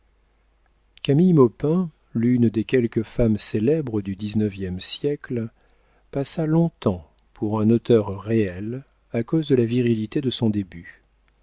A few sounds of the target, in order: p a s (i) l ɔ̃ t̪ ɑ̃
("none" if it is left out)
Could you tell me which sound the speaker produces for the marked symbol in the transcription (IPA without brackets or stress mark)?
a